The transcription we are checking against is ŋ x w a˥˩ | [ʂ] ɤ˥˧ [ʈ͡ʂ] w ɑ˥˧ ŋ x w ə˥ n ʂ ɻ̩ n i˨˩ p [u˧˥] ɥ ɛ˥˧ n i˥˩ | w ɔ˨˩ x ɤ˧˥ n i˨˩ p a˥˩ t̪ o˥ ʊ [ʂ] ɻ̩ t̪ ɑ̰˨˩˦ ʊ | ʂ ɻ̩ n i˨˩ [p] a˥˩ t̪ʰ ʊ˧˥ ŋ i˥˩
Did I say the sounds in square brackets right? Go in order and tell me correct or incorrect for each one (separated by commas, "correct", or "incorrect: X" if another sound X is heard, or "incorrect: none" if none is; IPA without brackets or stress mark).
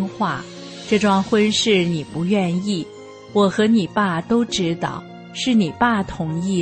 incorrect: ʈ͡ʂ, correct, correct, incorrect: ʈ͡ʂ, correct